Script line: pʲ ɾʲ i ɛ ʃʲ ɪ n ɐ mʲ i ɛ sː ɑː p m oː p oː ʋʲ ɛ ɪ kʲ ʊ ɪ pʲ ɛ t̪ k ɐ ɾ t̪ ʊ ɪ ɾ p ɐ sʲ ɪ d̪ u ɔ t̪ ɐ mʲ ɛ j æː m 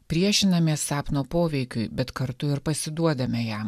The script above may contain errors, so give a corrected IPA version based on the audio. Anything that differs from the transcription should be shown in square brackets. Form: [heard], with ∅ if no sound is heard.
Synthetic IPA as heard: pʲ ɾʲ i ɛ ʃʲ ɪ n ɐ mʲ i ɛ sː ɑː p [n] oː p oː ʋʲ ɛ ɪ kʲ ʊ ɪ [bʲ] ɛ t̪ k ɐ ɾ t̪ ʊ ɪ ɾ p ɐ sʲ ɪ d̪ u ɔ [d̪] ɐ mʲ ɛ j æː m